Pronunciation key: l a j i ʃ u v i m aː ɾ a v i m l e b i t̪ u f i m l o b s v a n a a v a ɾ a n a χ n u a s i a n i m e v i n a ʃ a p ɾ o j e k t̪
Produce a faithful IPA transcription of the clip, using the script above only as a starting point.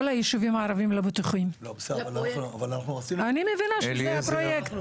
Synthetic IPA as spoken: l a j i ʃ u v i m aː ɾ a v i m l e b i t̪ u χ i m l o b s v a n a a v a l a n a χ n u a s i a n i m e v i n a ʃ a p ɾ o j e k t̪